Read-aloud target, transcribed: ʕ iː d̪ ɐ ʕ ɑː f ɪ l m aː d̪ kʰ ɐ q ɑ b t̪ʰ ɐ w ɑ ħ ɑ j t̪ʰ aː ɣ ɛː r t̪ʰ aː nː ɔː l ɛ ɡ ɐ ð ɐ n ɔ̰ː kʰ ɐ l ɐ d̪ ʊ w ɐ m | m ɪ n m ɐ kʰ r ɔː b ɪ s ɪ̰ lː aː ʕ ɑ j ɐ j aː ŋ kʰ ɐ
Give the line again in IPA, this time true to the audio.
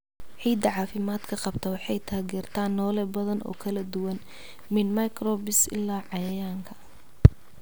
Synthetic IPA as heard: ʕ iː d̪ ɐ ʕ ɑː f ɪ m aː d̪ kʰ ɐ q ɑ b t̪ʰ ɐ w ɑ ħ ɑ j t̪ʰ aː ɣ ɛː r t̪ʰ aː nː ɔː l ɛ b ɐ ð ɐ n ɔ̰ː kʰ ɐ l ɐ d̪ ʊ w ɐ n | m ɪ n m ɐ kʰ r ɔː b ɪ s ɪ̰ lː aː ʕ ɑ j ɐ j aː ŋ kʰ ɐ

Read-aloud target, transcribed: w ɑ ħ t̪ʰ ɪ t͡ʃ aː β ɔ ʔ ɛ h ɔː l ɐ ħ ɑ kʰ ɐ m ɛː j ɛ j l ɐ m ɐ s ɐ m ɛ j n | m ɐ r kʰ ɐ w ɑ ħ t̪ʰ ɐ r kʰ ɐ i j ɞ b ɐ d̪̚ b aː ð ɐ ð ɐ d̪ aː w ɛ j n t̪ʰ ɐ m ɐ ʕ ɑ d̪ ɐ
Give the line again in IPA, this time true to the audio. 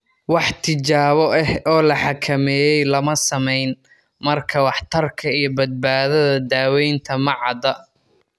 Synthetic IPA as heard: w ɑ ħ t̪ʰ ɪ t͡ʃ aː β ɔ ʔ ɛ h ɔː l ɐ ħ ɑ kʰ ɐ m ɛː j ɛ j l ɐ m ɐ s ɐ m ɛ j n | m ɐ r kʰ ɐ w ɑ ħ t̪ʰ ɐ r kʰ ɐ i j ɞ b ɐ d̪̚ b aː ð ɐ ð ɐ d̪ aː w ɛ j n t̪ʰ ɐ m ɐ ʕ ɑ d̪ ɐ

